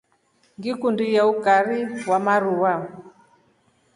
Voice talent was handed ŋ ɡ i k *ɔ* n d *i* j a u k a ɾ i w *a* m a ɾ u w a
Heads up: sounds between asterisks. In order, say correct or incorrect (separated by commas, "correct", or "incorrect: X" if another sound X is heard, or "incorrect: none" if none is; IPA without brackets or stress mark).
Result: incorrect: u, correct, correct